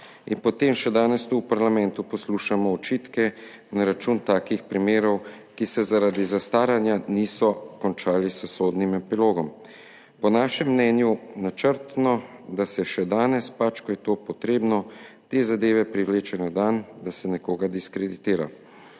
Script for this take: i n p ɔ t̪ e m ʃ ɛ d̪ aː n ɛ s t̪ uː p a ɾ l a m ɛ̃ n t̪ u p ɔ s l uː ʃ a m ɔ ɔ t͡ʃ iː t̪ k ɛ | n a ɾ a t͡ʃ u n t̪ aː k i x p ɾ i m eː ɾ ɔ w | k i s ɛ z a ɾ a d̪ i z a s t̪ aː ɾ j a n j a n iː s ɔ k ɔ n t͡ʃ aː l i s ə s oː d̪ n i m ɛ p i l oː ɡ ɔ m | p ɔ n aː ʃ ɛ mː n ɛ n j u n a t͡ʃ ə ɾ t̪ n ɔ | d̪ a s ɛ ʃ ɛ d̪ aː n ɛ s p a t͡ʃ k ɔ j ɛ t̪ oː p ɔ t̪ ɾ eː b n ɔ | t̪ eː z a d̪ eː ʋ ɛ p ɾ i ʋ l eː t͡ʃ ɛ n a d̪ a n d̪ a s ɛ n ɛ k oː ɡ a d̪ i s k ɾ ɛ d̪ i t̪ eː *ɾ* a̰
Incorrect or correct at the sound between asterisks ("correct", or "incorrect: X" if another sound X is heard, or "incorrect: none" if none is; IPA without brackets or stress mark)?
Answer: correct